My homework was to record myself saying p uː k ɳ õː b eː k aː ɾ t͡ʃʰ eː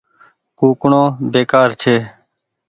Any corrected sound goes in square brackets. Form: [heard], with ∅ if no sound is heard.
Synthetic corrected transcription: [k] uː k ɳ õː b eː k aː ɾ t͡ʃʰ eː